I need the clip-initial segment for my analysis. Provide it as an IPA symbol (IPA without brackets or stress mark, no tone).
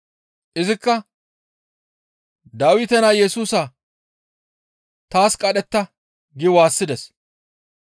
ʔ